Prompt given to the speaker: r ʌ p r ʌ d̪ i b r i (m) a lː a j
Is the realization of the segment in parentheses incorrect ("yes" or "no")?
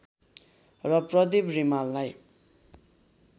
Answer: no